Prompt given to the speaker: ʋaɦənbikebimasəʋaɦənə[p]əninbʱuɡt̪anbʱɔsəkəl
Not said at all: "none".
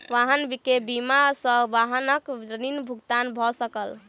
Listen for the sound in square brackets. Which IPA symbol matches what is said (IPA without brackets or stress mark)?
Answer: k